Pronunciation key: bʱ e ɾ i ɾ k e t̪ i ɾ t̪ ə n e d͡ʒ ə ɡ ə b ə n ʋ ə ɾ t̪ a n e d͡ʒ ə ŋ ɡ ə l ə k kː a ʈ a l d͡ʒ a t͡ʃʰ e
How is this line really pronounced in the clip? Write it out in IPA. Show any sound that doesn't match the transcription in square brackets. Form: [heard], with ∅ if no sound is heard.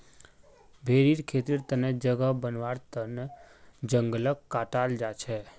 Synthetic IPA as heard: bʱ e ɾ i ɾ [kʰ] e t̪ i ɾ t̪ ə n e d͡ʒ ə ɡ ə b ə n ʋ [a] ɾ t̪ [ə] n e d͡ʒ ə ŋ ɡ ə l ə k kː a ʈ a l d͡ʒ a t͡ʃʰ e